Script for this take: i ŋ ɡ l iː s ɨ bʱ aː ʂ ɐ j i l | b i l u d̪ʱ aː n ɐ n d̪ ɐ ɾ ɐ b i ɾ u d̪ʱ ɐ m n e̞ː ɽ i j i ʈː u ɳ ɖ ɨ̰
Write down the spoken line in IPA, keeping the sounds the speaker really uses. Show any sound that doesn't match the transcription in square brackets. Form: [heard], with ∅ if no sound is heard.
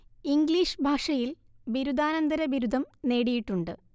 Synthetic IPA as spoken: i ŋ ɡ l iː [ʂ] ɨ bʱ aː ʂ ɐ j i l | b i [ɾ] u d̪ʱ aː n ɐ n d̪ ɐ ɾ ɐ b i ɾ u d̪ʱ ɐ m n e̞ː ɽ i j i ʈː u ɳ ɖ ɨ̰